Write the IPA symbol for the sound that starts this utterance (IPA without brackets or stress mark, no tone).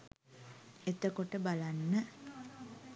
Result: e